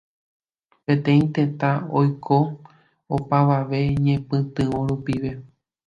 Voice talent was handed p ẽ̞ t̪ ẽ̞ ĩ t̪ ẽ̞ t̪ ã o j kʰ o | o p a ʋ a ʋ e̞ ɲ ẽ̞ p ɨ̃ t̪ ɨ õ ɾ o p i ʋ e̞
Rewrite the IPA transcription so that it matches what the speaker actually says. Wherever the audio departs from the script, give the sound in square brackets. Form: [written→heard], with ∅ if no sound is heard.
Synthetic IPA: p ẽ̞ t̪ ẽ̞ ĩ t̪ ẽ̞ t̪ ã o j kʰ o | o p a ʋ a ʋ e̞ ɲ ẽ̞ p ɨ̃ t̪ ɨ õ ɾ [o→u] p i ʋ e̞

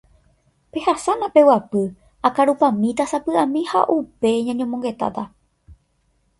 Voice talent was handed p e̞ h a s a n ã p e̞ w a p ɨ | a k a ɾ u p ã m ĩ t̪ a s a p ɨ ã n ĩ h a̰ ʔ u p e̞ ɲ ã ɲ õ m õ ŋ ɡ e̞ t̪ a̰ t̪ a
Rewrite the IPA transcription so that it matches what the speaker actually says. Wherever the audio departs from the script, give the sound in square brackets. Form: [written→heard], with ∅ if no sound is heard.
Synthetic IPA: p e̞ h a s a n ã p e̞ w a p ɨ | a k a ɾ u p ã m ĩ t̪ a s a p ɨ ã [n→m] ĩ h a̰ ʔ u p e̞ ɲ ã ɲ õ m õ ŋ ɡ e̞ t̪ a̰ t̪ a

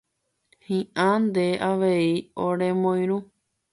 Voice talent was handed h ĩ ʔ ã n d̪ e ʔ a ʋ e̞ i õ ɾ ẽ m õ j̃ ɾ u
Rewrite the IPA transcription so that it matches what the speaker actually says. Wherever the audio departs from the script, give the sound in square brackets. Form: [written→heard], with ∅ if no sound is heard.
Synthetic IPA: h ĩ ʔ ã n d̪ e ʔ a ʋ e̞ i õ ɾ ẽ m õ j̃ ɾ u

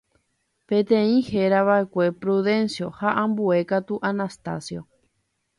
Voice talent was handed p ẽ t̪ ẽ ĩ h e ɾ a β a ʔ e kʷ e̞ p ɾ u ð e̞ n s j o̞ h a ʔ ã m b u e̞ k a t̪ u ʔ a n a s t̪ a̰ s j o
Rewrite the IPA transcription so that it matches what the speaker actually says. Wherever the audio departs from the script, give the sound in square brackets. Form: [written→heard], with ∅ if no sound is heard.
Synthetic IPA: p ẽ t̪ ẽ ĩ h e ɾ a β a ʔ e kʷ e̞ p ɾ u ð e̞ n s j o̞ h a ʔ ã m b u e̞ k a t̪ u ʔ a n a s t̪ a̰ s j o

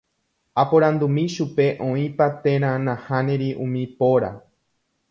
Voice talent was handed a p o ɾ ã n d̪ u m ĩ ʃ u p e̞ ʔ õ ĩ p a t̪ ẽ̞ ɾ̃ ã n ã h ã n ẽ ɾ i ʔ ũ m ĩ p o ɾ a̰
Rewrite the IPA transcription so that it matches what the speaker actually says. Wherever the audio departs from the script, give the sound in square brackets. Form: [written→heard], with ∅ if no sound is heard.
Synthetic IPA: a p o ɾ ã n d̪ u m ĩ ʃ u p e̞ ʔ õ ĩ p a t̪ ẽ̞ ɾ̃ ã n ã h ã n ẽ ɾ i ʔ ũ m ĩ p o ɾ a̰

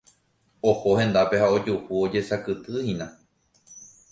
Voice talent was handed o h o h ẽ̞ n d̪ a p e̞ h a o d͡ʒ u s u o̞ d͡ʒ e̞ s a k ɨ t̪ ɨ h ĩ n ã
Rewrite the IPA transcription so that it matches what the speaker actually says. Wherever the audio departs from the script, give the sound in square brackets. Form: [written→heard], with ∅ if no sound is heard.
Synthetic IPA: o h o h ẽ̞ n d̪ a p e̞ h a o d͡ʒ u [s→h] u o̞ d͡ʒ e̞ s a k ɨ t̪ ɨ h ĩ n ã

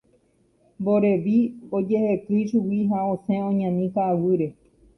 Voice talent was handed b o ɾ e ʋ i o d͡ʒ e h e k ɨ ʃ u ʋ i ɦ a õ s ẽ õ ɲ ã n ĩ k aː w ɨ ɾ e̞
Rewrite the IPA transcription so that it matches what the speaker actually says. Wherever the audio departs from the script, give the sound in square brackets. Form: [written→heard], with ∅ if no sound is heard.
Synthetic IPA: b o ɾ e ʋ i o d͡ʒ e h e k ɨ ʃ u [ʋ→w] i ɦ a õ s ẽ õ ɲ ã n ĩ k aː w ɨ ɾ e̞

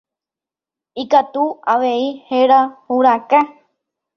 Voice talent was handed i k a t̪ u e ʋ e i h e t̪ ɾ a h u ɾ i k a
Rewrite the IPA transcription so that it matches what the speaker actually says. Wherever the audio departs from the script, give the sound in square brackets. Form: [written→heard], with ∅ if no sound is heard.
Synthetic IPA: i k a t̪ u [e→a] ʋ e i h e [t̪→∅] ɾ a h u ɾ [i→a] k a

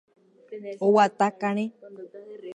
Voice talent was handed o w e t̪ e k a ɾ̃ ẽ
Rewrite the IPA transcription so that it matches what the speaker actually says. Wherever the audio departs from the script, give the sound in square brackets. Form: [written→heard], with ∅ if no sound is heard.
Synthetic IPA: o w [e→a] t̪ [e→a] k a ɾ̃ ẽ

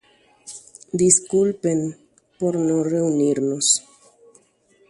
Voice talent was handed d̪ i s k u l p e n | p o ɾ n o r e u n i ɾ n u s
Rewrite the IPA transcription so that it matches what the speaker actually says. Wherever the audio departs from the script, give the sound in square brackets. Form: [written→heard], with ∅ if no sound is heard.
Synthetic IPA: d̪ i s k u l p e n | p o ɾ n o r e u n i ɾ n [u→o] s

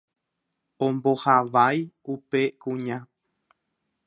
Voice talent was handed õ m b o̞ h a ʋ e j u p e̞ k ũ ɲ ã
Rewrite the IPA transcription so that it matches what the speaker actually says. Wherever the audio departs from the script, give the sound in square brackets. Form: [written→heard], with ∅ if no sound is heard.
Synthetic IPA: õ m b o̞ h a ʋ [e→a] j u p e̞ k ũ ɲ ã

